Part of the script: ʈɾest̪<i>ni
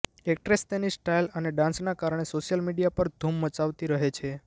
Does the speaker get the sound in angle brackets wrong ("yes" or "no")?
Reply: yes